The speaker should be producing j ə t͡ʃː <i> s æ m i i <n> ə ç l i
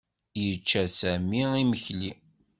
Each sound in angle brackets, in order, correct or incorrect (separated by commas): incorrect, incorrect